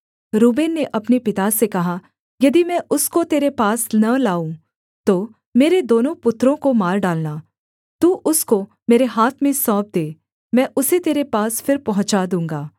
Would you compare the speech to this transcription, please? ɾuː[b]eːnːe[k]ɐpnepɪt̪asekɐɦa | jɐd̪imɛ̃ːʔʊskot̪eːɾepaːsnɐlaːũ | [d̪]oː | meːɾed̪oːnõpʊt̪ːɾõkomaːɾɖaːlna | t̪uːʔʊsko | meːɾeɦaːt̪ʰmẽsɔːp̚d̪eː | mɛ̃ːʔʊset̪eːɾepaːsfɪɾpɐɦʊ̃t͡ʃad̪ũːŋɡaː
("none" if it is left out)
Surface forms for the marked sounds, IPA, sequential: b, ʔ, t̪

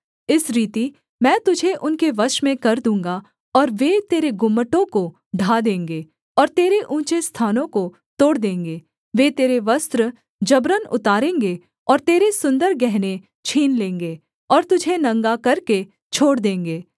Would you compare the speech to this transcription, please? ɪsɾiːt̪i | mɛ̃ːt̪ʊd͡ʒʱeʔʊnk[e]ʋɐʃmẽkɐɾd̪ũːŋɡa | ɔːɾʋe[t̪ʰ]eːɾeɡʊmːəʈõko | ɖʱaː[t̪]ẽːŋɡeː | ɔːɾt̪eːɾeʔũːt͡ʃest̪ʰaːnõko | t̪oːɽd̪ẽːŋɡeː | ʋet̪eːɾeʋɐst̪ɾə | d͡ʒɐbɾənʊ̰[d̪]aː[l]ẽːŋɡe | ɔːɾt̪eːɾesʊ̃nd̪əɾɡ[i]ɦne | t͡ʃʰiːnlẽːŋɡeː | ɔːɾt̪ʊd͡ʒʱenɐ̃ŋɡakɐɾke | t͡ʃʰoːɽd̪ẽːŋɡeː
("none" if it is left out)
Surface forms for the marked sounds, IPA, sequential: e, t̪, d̪, t̪, ɾ, ɛ

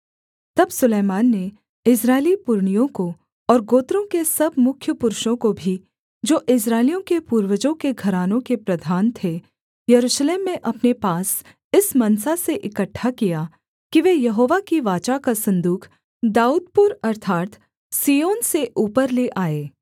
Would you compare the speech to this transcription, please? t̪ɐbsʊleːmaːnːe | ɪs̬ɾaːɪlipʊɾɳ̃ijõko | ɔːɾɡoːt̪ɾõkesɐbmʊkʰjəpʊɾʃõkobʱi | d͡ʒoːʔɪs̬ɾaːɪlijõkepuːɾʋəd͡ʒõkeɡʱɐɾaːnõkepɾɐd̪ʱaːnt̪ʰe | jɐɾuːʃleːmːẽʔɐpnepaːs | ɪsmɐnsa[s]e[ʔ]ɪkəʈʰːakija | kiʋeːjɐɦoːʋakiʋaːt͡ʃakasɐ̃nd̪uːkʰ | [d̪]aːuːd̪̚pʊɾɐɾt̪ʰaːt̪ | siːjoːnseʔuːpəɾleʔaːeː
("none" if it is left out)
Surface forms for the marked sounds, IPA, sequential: s, ʔ, d̪

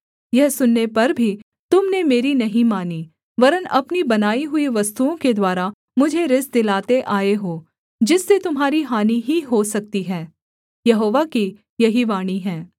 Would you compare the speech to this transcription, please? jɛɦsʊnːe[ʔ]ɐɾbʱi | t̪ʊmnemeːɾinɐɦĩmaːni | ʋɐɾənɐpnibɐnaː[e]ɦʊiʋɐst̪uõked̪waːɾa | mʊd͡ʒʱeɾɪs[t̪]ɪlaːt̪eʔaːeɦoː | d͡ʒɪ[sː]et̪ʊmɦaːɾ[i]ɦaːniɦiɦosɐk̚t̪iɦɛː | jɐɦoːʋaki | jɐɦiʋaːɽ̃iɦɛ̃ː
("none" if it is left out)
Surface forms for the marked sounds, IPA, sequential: p, i, d̪, sː, i

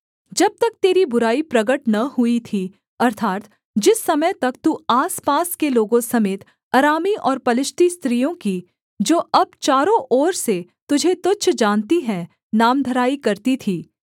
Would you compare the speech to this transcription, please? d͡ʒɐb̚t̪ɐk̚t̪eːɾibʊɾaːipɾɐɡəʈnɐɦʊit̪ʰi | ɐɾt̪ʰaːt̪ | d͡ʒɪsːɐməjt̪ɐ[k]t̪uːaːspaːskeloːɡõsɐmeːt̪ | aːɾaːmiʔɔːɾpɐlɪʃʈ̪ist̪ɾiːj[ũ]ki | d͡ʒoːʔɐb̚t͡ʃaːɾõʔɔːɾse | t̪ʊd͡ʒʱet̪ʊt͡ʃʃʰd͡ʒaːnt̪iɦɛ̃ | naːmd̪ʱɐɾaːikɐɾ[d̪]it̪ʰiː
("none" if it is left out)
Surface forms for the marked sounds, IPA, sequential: k, õ, t̪

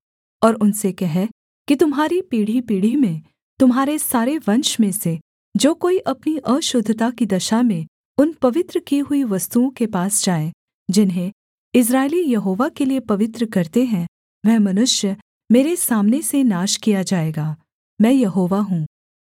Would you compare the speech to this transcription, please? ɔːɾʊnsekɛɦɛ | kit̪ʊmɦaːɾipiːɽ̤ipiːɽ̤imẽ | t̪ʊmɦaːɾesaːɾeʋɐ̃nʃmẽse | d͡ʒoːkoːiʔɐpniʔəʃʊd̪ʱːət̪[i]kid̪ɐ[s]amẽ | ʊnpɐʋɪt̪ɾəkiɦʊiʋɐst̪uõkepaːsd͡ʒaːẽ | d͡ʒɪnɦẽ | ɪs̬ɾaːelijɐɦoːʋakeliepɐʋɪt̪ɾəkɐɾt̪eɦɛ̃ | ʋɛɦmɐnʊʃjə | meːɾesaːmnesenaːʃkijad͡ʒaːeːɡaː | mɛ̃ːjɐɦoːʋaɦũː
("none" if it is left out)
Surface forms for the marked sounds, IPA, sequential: a, ʃ

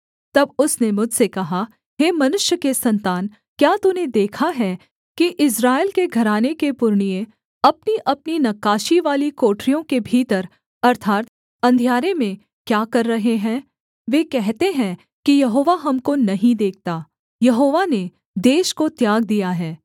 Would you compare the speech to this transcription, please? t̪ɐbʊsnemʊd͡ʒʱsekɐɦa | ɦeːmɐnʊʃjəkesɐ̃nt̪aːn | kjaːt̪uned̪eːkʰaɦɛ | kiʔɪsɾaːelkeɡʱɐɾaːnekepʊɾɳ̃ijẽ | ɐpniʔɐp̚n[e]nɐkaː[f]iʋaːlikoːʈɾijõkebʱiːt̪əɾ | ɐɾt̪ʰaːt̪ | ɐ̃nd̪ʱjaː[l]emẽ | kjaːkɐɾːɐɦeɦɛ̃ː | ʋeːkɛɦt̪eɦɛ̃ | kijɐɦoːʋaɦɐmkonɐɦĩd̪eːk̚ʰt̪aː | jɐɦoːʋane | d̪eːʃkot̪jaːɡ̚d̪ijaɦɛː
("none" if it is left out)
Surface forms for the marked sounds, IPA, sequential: i, ʃ, ɾ

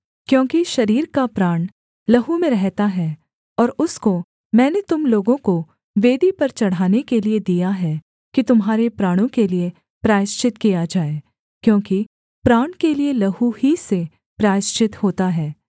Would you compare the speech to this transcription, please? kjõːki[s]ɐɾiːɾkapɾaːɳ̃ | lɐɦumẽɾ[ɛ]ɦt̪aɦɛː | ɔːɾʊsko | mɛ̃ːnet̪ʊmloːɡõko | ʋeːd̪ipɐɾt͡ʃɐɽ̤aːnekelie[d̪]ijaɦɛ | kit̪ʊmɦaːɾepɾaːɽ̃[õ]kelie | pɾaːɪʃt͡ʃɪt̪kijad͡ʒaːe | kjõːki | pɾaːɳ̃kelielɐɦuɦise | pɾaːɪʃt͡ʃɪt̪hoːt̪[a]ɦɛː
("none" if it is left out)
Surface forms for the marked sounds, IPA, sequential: ʃ, ɛ, d̪, õ, a

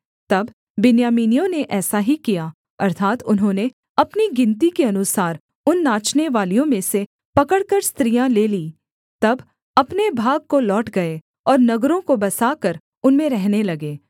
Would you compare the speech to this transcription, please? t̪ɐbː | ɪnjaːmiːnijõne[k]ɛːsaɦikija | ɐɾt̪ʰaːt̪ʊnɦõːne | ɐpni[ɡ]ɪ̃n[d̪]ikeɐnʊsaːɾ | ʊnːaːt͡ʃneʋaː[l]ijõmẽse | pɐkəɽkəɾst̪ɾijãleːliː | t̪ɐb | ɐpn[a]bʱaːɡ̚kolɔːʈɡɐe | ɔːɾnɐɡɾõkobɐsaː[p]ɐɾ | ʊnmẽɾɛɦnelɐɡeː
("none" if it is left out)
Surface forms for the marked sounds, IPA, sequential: ʔ, ɡ, t̪, l, e, k

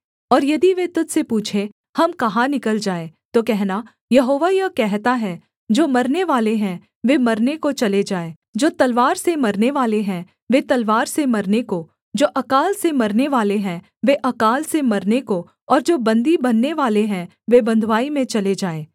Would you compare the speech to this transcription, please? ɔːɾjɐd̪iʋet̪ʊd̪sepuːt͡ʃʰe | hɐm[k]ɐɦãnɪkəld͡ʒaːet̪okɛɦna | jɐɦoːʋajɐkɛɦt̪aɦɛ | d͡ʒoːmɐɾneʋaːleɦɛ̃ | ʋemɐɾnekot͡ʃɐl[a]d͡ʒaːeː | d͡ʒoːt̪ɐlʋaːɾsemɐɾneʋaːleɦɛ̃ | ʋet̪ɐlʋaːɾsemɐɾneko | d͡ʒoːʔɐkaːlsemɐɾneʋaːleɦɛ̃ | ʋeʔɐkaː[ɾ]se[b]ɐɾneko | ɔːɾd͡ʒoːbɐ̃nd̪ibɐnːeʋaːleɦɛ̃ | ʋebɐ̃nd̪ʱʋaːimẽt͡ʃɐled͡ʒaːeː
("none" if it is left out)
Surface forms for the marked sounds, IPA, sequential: k, e, l, m

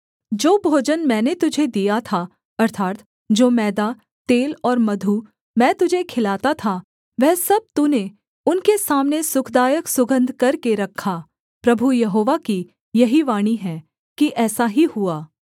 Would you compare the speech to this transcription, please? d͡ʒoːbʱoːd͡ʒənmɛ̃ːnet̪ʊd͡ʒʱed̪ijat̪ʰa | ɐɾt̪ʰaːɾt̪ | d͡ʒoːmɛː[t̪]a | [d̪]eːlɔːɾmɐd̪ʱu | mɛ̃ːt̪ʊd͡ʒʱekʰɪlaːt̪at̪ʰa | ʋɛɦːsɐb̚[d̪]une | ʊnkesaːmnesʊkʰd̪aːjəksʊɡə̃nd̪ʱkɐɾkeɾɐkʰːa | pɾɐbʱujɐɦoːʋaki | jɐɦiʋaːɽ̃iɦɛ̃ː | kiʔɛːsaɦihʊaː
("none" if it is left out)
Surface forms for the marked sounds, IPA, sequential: d̪, t̪, t̪

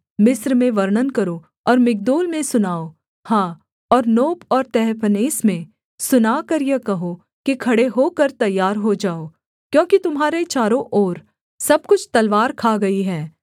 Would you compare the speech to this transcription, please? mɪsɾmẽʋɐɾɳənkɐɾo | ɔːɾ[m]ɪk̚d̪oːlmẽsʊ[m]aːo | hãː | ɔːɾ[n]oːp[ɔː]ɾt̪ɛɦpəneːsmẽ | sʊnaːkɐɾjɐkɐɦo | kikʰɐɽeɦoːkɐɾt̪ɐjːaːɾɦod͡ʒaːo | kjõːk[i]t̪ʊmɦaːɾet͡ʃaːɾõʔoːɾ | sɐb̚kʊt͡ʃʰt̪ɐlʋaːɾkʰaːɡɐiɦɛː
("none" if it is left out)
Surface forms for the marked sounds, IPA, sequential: m, n, n, ɔː, i

